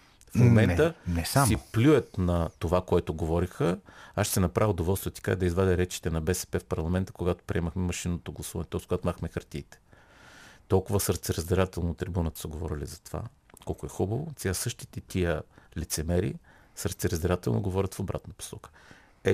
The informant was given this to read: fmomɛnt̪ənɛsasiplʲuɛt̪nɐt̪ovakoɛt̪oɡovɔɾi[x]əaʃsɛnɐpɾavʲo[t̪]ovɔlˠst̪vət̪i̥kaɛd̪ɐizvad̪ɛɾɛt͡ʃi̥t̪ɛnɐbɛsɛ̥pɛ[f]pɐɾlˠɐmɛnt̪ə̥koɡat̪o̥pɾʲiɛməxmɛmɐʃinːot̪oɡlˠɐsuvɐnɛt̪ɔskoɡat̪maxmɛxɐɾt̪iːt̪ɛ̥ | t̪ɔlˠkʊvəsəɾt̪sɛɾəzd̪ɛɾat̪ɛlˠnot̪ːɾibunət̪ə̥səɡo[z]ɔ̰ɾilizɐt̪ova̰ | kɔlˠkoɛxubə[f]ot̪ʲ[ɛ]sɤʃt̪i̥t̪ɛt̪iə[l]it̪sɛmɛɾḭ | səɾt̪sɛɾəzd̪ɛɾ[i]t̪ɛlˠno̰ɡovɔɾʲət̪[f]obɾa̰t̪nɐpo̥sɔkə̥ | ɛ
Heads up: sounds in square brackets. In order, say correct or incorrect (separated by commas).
correct, incorrect, correct, incorrect, incorrect, incorrect, correct, incorrect, correct